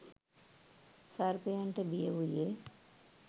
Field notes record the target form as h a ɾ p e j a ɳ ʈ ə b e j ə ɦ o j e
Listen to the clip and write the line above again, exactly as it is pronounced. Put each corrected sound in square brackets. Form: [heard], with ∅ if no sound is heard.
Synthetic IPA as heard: [s] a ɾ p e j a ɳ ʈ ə b [i] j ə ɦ [u] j e